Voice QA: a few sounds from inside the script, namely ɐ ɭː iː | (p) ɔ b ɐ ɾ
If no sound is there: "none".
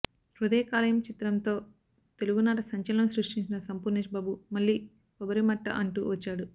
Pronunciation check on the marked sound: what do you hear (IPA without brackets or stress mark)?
k